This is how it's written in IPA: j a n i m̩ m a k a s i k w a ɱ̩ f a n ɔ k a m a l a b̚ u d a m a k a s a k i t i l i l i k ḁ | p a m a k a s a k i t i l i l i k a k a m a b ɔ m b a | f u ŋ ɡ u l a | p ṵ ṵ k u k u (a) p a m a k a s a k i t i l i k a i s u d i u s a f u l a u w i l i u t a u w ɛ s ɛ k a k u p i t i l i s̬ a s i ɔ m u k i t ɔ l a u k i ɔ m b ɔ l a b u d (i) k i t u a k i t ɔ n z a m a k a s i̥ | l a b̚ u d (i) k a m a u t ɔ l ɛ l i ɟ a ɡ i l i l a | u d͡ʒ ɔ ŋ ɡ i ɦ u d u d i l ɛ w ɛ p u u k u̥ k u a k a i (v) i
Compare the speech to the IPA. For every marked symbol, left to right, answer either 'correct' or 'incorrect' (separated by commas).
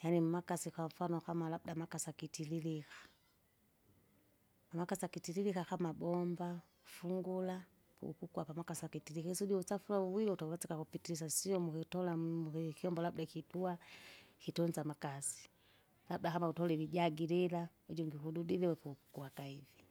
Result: correct, incorrect, incorrect, correct